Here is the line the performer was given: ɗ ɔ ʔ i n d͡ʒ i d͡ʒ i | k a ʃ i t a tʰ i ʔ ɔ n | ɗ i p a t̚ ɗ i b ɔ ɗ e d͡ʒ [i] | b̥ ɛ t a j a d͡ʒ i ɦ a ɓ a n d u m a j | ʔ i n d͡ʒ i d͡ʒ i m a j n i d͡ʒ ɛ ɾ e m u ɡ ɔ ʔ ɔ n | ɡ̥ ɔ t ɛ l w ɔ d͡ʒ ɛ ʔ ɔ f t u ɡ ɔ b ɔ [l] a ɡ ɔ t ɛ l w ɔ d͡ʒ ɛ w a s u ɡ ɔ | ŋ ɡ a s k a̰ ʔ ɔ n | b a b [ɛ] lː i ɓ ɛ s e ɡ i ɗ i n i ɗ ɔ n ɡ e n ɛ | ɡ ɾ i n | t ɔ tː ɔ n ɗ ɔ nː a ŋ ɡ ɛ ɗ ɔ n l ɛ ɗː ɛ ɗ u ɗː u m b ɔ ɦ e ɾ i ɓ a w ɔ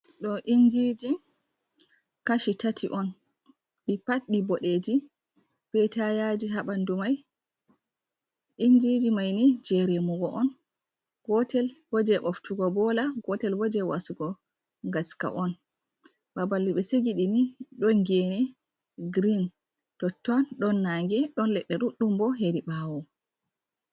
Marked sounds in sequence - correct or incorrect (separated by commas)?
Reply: correct, correct, incorrect